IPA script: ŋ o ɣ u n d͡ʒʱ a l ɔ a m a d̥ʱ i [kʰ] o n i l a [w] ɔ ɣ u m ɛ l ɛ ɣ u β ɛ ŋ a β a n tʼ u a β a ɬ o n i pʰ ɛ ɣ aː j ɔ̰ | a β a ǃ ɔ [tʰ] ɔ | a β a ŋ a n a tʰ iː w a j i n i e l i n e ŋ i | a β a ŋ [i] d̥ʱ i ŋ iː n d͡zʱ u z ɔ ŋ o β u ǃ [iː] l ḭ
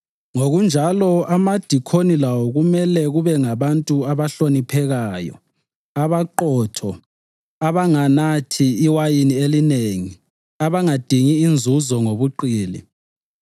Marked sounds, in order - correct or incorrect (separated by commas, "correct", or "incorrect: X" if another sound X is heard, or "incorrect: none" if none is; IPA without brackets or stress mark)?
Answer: correct, correct, correct, incorrect: a, correct